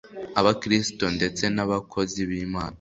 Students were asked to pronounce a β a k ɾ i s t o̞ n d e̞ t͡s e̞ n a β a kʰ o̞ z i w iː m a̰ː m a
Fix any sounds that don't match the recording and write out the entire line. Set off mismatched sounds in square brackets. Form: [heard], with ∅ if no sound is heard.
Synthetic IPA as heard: a β a k ɾ i s t o̞ n d e̞ t͡s e̞ n a β a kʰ o̞ z i [β] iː m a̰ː [n] a